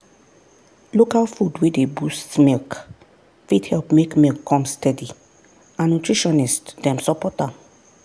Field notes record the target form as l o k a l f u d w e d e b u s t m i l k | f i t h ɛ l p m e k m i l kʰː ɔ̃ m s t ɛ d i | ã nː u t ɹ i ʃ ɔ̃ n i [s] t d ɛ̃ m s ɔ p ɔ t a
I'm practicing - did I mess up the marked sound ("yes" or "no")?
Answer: no